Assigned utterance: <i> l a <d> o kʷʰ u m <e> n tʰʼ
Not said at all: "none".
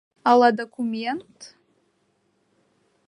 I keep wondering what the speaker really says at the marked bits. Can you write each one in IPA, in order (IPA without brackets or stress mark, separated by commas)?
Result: a, d, e